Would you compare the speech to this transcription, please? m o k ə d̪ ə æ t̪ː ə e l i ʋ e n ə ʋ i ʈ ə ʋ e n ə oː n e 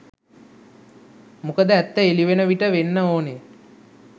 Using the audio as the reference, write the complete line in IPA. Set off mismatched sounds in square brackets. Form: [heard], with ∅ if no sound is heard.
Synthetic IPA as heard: m [u] k ə d̪ ə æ t̪ː ə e l i ʋ e n ə ʋ i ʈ ə ʋ e [nː] ə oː n e